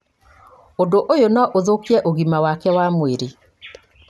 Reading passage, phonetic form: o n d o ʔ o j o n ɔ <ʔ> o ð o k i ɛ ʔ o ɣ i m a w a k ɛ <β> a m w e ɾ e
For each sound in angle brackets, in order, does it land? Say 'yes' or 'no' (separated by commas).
yes, no